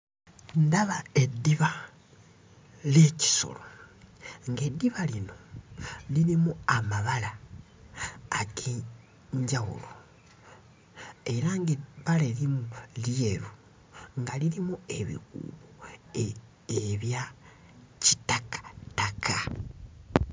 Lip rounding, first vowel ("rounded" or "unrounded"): unrounded